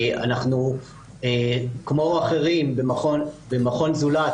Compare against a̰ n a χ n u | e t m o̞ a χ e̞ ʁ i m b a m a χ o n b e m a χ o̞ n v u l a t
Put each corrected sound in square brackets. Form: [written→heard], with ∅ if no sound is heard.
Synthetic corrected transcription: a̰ n a χ n u | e [t→k] m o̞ a χ e̞ ʁ i m b [a→e] m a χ o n b e m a χ o̞ n [v→z] u l a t